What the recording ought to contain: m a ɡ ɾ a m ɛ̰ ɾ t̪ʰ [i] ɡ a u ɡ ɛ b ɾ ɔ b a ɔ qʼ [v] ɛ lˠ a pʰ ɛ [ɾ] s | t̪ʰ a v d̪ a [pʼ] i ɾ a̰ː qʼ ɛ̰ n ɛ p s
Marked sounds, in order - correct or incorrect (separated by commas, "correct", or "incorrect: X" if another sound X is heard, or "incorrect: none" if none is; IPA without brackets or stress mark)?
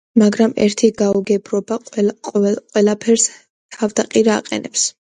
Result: correct, incorrect: w, correct, incorrect: qʼ